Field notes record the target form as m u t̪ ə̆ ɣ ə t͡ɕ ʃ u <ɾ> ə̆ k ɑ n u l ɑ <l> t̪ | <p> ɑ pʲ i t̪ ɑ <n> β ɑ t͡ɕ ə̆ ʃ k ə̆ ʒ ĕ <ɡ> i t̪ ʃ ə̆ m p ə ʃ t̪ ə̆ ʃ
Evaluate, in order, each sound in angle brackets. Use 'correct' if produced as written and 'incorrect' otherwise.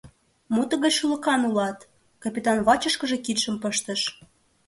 incorrect: l, incorrect: none, incorrect: k, correct, incorrect: k

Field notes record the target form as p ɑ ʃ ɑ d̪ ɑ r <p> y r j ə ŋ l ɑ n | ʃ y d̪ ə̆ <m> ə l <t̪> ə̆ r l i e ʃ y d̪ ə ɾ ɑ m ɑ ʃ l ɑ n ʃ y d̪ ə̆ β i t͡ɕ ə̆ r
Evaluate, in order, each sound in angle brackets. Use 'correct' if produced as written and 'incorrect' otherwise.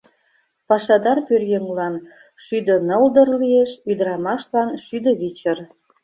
correct, incorrect: n, incorrect: d̪

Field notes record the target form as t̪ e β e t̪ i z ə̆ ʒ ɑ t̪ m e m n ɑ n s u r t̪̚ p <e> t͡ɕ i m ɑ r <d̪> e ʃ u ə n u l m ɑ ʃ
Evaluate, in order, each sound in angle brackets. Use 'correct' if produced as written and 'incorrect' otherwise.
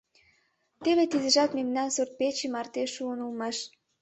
correct, incorrect: t̪

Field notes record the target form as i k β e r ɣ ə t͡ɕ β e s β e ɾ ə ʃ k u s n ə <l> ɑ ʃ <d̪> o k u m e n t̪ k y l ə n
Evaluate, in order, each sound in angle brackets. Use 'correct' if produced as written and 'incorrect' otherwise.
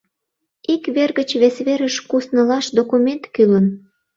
correct, correct

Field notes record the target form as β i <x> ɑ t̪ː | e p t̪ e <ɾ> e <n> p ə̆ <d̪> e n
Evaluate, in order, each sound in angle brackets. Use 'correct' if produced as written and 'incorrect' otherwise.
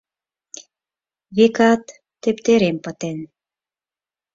incorrect: k, correct, incorrect: m, incorrect: t̪

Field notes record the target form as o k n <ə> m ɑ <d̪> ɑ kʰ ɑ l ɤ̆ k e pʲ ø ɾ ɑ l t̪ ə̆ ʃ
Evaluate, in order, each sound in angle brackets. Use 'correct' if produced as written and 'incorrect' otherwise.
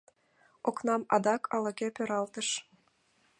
incorrect: ɑ, correct

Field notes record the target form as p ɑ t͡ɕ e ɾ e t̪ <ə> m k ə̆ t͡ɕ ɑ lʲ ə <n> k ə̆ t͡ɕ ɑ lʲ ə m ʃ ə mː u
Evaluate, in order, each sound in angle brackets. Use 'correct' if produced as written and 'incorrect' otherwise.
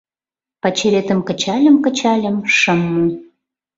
correct, incorrect: m

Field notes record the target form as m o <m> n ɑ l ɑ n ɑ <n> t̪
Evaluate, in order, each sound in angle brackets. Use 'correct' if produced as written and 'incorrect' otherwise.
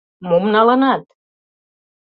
correct, incorrect: none

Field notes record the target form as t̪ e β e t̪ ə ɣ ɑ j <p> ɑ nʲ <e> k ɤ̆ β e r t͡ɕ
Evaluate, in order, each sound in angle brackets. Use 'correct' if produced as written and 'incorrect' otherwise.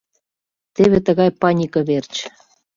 correct, incorrect: i

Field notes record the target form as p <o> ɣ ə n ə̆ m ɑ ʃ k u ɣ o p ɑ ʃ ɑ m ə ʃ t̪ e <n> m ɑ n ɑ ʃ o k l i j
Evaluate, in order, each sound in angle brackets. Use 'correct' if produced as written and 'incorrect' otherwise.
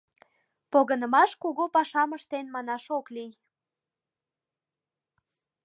correct, correct

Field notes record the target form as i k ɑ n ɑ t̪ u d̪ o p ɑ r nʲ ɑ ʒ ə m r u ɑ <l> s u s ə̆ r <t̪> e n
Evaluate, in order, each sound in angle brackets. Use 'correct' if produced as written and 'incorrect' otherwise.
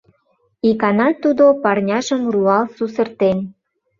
correct, correct

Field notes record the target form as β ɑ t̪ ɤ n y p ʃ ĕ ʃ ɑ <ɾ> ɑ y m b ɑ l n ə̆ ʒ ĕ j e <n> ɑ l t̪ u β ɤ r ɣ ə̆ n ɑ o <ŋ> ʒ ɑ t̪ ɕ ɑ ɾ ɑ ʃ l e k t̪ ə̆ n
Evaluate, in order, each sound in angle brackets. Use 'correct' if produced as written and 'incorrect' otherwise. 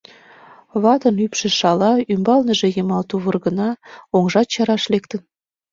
incorrect: l, incorrect: m, correct

